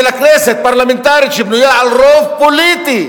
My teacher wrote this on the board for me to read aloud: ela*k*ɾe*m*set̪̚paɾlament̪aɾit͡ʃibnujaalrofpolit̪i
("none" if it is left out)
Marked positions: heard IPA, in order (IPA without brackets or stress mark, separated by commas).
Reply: k, none